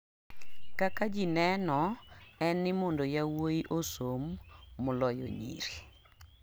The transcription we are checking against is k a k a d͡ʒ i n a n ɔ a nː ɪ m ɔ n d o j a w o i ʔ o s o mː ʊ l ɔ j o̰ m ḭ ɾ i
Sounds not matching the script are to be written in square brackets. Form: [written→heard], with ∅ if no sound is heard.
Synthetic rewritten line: k a k a d͡ʒ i n [a→ɛ] n ɔ [a→ɛ] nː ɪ m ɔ n d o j a w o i ʔ o s o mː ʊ l ɔ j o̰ [m→ɲ] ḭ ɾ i